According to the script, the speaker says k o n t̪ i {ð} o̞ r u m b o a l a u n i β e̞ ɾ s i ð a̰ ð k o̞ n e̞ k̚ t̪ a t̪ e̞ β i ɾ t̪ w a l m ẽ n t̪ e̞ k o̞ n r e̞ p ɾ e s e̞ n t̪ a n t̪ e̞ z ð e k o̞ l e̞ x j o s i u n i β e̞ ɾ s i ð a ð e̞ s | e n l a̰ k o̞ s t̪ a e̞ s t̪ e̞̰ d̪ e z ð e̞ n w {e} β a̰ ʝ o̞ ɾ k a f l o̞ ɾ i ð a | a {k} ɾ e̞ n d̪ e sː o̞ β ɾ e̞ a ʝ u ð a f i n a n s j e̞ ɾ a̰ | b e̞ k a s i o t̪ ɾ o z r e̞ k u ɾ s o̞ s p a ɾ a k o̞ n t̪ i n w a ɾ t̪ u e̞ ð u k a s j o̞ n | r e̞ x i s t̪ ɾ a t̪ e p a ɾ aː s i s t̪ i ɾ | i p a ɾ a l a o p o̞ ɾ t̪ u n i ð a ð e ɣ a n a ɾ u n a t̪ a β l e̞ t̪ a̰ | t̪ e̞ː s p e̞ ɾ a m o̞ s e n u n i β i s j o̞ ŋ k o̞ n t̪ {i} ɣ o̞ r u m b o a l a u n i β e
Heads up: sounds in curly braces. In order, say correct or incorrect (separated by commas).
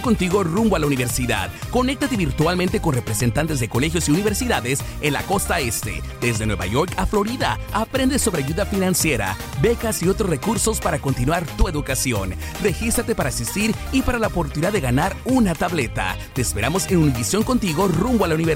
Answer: incorrect, correct, incorrect, correct